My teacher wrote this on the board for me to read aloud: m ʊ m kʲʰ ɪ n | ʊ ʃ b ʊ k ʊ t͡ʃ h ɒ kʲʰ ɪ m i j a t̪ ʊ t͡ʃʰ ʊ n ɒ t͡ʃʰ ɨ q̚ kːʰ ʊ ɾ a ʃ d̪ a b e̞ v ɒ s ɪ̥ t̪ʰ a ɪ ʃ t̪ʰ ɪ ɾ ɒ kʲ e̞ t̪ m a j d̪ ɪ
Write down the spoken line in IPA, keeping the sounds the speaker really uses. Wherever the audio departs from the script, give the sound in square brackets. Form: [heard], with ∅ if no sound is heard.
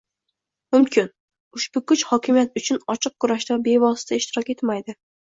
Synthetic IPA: m ʊ m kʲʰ ɪ n | ʊ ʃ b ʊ k ʊ t͡ʃ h ɒ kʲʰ ɪ m i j a t̪ ʊ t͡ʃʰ ʊ n ɒ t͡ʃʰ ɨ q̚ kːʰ ʊ ɾ a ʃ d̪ a b e̞ v ɒ s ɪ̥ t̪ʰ a ɪ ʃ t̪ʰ ɪ ɾ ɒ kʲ e̞ t̪ m a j d̪ ɪ